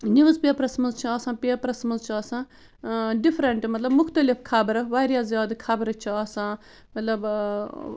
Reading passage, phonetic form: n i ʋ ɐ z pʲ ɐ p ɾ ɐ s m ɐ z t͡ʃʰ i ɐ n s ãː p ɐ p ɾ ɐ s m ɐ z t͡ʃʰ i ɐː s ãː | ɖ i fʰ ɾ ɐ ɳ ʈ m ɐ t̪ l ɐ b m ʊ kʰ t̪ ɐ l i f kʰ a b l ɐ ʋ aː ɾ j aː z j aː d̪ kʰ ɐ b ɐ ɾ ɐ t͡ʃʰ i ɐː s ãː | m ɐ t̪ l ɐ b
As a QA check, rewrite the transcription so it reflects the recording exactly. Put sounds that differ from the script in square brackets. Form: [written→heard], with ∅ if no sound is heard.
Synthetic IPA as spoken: n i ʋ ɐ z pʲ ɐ p ɾ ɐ s m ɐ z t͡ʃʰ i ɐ [n→∅] s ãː p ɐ p ɾ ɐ s m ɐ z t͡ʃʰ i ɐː s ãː | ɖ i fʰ ɾ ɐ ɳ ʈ m ɐ t̪ l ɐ b m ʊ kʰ t̪ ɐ l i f kʰ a b [l→ɾ] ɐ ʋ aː ɾ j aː z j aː d̪ kʰ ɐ b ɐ ɾ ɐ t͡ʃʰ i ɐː s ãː | m ɐ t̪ l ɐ b